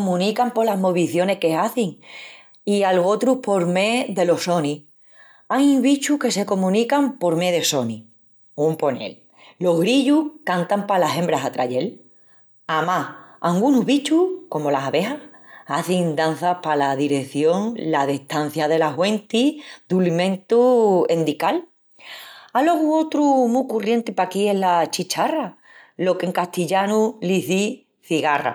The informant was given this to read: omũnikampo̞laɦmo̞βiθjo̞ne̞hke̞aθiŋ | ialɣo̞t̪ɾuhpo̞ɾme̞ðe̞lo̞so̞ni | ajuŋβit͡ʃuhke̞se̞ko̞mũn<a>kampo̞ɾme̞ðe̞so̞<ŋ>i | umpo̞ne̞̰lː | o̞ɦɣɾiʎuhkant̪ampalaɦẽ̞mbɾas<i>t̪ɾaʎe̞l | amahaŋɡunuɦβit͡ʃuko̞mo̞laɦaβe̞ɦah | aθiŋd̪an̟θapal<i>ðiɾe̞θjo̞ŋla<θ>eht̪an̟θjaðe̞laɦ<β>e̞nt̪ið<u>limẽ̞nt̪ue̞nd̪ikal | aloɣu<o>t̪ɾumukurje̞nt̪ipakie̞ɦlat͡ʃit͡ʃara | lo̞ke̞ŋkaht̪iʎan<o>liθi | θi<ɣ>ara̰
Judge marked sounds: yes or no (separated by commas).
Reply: no, no, no, no, no, no, yes, yes, no, yes